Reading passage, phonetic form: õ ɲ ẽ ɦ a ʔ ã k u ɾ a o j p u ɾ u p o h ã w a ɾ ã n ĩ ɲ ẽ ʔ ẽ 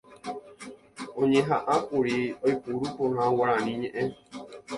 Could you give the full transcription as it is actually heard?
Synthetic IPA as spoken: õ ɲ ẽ ɦ a ʔ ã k u ɾ i o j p u ɾ u p o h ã w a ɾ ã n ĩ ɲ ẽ ʔ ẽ